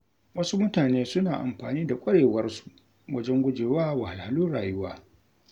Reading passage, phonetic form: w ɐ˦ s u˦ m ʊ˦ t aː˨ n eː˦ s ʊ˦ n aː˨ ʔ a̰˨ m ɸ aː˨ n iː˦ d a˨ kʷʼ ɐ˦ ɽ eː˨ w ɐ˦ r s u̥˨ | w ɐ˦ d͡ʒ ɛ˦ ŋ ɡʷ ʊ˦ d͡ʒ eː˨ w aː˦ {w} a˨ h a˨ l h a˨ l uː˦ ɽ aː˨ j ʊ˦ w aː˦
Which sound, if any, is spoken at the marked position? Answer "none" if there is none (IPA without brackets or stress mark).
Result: w